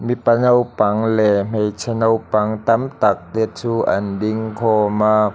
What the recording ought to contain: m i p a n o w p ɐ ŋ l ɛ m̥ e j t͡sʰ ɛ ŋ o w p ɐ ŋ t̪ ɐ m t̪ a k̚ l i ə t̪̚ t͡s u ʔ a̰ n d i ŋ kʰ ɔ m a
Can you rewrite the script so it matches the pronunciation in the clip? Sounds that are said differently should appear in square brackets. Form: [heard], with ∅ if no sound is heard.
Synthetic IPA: m i p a n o w p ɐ ŋ l ɛ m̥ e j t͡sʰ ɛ [n] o w p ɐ ŋ t̪ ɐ m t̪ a k̚ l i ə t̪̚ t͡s u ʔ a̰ n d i ŋ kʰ ɔ m a